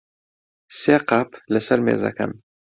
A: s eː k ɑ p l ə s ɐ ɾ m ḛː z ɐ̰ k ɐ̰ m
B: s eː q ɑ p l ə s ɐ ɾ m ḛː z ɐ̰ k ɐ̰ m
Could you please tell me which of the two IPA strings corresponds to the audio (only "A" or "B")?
B